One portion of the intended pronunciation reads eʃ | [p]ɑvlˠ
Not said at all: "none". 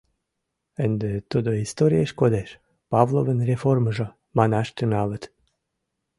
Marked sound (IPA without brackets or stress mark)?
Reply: p